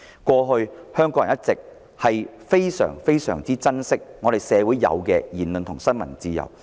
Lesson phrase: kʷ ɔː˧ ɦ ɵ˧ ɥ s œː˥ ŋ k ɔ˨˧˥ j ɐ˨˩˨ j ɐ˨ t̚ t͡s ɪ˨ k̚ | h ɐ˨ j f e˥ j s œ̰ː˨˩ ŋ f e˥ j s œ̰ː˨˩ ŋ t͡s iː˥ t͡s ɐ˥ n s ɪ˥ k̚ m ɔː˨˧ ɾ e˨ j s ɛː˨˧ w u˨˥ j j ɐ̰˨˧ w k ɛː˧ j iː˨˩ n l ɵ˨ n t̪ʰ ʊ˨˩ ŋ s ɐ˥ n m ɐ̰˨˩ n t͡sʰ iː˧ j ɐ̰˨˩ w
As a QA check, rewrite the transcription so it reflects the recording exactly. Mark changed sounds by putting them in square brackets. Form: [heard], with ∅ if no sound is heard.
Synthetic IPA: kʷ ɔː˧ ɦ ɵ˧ ɥ [h] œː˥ ŋ k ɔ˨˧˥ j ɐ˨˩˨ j [ɐ˥] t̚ t͡s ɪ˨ k̚ | h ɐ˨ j f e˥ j s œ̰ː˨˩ ŋ f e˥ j s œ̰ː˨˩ ŋ t͡s iː˥ t͡s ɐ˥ n s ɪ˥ k̚ [ŋ] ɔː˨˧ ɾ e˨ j s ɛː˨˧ w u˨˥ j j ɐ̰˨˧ w k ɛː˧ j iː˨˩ n l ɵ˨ n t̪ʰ ʊ˨˩ ŋ s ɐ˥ n m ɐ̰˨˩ n [t͡s] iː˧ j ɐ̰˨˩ w

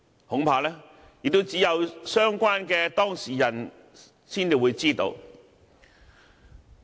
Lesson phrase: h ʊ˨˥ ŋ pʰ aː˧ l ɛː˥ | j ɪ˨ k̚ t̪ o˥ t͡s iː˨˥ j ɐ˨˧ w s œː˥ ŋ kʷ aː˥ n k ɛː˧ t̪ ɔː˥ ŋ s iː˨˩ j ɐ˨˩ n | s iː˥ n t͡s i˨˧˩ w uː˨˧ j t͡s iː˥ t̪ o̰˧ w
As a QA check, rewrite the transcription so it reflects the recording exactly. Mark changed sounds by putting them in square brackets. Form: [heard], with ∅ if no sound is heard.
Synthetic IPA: h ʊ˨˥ ŋ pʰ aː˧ l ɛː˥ | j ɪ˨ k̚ t̪ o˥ t͡s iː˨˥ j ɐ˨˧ w s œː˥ ŋ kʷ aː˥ n k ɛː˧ t̪ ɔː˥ ŋ s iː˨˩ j ɐ˨˩ n | s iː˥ n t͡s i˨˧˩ w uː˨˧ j t͡s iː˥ t̪ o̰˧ w

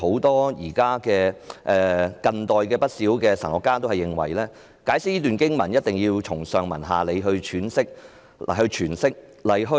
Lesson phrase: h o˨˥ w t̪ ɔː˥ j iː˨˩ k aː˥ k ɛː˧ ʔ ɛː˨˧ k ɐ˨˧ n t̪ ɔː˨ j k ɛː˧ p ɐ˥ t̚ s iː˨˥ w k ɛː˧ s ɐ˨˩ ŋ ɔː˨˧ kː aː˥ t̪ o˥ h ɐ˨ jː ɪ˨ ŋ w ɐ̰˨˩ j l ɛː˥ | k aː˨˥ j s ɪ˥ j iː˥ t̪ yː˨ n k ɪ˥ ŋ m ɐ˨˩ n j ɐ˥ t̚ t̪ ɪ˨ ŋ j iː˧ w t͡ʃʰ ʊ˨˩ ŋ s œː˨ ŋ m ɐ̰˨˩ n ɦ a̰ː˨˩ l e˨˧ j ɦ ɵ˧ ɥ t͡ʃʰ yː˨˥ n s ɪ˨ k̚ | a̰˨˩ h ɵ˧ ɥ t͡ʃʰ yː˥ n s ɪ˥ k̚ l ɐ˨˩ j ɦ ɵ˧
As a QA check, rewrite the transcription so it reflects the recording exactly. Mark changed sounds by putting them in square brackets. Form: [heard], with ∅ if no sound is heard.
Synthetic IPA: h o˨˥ w t̪ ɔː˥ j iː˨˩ k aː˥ k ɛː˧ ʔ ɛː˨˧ k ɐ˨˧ n t̪ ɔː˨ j k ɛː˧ p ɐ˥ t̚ s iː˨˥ w k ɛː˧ s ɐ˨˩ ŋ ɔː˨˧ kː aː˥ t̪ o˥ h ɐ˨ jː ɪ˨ ŋ w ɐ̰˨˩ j l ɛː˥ | k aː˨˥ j s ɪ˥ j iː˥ t̪ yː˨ n k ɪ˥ ŋ m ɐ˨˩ n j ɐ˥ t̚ t̪ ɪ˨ ŋ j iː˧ w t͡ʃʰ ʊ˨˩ ŋ s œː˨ ŋ m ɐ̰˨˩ n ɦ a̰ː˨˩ l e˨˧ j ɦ ɵ˧ ɥ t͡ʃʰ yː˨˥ n s [ɪ˥] k̚ | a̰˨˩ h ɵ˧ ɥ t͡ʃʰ [yː˨˩] n s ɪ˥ k̚ l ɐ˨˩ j ɦ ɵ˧

